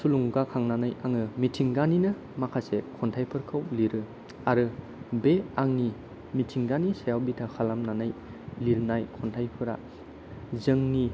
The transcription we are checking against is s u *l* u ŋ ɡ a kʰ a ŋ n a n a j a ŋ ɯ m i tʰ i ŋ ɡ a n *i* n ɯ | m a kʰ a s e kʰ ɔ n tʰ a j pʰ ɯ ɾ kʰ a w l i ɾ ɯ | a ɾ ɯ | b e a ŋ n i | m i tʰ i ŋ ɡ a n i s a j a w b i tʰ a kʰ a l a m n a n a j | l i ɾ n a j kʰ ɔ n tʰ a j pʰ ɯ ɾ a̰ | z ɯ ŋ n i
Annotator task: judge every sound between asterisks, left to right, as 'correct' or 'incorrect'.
correct, correct

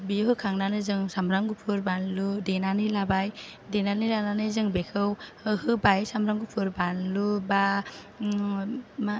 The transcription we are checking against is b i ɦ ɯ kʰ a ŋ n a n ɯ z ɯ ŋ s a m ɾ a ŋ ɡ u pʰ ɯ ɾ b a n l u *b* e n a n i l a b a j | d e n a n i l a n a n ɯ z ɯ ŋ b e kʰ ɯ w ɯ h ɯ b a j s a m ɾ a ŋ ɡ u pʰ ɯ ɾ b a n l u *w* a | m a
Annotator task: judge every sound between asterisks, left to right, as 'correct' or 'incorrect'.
incorrect: d, incorrect: b

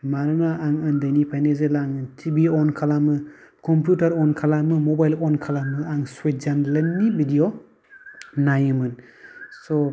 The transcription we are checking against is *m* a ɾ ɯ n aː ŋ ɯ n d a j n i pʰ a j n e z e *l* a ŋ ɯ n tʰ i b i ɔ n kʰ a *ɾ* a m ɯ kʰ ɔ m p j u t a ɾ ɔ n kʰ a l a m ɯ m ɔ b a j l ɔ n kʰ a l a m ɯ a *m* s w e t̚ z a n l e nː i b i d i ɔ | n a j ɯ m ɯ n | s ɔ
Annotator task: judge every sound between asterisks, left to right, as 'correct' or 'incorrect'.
correct, correct, incorrect: l, incorrect: ŋ

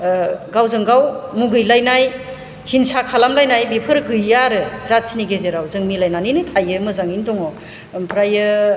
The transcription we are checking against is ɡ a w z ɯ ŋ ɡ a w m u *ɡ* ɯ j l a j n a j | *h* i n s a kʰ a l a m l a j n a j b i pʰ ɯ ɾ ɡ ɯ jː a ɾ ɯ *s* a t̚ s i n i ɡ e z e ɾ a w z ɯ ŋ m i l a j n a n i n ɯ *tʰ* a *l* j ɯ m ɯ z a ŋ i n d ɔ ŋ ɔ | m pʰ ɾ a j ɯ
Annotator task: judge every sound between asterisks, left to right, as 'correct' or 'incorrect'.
correct, correct, incorrect: z, correct, incorrect: none

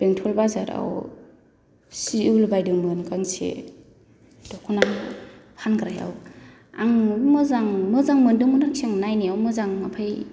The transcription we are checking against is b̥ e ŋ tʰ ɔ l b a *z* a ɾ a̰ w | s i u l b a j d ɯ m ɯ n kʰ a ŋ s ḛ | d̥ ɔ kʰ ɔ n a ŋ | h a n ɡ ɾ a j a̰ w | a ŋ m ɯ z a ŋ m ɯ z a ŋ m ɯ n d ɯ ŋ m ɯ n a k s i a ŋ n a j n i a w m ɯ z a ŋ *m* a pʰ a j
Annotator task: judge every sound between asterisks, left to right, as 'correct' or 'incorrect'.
correct, correct

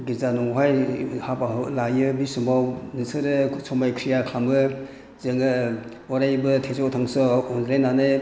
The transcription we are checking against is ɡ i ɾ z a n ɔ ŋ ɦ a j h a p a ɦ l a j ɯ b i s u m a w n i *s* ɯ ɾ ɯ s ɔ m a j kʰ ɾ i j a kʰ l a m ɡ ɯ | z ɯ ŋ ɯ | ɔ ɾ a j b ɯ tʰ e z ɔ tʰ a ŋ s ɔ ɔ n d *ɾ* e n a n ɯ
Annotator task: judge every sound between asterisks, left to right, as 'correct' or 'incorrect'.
correct, correct

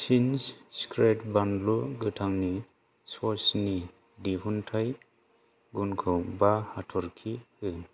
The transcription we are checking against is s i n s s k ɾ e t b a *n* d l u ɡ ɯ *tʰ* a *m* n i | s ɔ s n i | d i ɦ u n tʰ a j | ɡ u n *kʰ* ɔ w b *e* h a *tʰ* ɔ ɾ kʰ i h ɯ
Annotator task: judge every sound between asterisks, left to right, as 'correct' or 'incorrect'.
correct, correct, incorrect: ŋ, correct, incorrect: a, correct

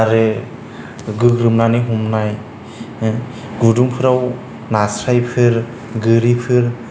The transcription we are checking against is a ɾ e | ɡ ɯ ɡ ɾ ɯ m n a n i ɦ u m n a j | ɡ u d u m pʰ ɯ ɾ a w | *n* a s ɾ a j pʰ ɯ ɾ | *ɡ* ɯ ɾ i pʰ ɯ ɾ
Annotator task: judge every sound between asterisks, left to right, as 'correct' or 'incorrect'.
correct, correct

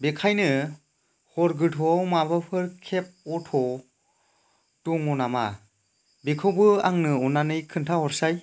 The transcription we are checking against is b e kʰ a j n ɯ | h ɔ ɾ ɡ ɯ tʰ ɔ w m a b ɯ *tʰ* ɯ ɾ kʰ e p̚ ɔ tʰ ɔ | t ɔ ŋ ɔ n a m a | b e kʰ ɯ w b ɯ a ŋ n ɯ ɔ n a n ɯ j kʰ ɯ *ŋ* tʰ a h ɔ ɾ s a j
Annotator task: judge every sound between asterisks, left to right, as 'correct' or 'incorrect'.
incorrect: pʰ, incorrect: n

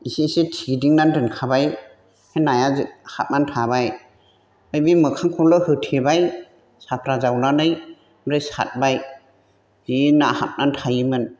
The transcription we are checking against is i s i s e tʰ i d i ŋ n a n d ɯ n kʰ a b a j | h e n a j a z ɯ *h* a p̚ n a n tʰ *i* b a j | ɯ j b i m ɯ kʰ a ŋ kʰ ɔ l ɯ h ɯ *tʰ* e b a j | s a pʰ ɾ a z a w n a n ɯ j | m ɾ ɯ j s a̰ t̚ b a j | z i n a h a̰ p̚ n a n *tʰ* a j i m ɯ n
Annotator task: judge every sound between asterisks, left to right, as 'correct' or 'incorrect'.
correct, incorrect: a, correct, correct

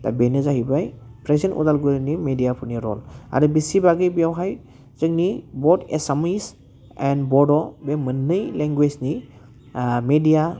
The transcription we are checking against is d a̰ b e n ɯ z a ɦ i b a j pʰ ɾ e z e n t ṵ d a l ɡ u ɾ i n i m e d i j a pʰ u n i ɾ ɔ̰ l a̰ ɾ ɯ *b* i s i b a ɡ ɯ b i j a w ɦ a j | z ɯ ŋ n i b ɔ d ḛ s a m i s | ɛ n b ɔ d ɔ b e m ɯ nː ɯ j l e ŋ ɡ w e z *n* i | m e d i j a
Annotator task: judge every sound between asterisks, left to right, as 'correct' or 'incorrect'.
correct, correct

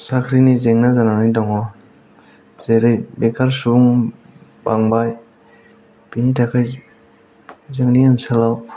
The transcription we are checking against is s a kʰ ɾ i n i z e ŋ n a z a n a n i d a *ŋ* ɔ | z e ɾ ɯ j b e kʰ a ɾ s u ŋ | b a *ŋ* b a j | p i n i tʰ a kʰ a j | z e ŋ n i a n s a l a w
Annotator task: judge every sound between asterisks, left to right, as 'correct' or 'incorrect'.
correct, correct

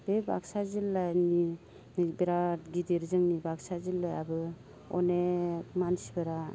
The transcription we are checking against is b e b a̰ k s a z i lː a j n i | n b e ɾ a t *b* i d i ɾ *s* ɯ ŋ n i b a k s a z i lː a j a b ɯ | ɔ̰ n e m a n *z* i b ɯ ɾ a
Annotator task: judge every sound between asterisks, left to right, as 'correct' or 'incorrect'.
incorrect: ɡ, incorrect: z, incorrect: s

